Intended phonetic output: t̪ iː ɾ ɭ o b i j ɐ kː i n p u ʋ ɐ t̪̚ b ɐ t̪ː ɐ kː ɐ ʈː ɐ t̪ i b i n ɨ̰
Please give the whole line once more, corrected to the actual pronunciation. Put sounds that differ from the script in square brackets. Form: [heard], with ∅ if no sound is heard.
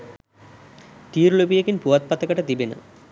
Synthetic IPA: t̪ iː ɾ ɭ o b i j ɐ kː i n p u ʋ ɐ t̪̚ [p] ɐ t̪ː ɐ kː ɐ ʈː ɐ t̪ i b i n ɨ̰